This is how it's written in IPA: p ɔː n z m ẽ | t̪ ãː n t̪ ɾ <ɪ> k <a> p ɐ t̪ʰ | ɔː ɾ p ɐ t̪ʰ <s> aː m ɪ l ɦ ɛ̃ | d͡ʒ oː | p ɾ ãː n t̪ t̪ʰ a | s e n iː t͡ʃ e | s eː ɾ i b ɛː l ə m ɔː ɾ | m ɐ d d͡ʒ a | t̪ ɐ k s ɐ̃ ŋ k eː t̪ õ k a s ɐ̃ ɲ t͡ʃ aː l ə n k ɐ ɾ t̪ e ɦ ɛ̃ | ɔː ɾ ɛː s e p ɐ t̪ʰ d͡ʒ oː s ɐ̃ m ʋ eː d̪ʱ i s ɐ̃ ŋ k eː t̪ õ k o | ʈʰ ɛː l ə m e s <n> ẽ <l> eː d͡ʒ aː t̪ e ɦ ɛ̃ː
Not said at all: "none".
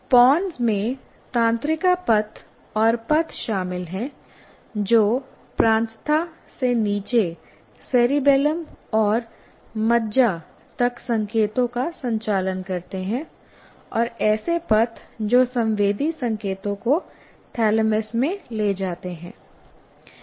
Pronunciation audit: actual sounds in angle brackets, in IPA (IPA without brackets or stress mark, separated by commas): ɪ, a, ʃ, m, l